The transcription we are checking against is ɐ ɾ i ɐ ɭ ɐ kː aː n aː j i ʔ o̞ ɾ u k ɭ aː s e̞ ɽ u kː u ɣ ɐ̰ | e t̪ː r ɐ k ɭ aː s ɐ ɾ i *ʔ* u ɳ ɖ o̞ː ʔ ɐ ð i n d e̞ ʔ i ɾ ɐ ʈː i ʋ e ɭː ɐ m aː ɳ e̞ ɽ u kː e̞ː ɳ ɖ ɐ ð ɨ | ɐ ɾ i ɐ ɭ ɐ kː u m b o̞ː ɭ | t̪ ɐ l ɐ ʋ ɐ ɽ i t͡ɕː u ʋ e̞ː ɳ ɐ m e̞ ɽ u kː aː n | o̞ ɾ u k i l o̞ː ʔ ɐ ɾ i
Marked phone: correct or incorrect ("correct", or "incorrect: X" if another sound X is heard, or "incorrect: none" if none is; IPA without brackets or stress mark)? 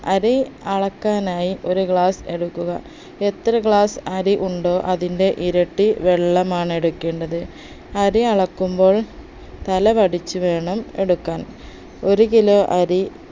correct